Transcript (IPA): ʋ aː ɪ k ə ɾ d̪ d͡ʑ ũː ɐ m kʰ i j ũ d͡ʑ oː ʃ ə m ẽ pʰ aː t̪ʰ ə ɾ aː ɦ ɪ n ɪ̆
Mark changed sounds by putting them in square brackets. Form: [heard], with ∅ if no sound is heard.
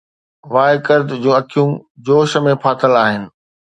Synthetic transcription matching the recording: ʋ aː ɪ k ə ɾ d̪ d͡ʑ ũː ɐ [∅] kʰ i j ũ d͡ʑ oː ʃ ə m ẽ pʰ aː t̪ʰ ə [l] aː ɦ ɪ n ɪ̆